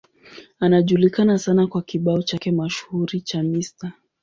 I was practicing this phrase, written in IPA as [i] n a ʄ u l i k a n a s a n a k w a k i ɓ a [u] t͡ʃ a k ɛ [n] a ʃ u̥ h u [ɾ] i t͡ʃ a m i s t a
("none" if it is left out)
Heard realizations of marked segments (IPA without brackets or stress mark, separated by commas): a, ɔ, m, ɾ